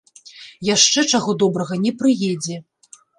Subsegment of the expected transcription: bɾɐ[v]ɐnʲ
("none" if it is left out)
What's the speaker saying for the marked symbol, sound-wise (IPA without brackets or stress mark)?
ɣ